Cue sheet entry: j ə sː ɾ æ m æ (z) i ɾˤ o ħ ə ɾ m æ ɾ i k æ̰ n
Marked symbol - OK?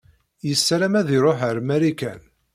no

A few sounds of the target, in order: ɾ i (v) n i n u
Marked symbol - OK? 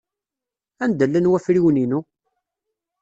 no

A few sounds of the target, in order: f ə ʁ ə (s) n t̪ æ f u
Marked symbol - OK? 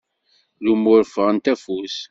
no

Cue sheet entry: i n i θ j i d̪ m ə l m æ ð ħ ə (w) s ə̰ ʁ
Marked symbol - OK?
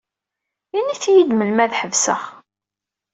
no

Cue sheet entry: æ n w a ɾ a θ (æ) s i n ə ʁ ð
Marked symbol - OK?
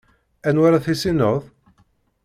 no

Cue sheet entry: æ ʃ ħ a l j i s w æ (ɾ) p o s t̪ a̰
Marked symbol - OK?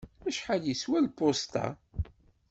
no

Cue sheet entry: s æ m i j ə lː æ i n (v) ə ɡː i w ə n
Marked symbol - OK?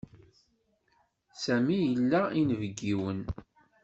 yes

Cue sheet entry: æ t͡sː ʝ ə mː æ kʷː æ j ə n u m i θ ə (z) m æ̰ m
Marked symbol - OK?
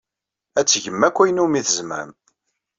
yes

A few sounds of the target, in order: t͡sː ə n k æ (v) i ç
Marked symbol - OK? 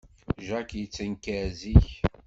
no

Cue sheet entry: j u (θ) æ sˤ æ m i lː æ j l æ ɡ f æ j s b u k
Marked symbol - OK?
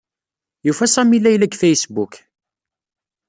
no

